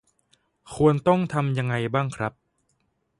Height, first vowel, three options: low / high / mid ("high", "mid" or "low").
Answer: high